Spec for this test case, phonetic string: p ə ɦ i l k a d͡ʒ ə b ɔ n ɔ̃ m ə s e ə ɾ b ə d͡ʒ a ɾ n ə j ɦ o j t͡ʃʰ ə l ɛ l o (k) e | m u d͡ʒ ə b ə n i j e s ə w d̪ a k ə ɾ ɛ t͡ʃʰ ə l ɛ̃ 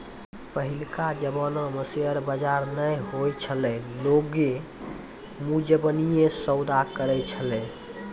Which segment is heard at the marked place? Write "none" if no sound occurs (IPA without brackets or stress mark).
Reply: ɡ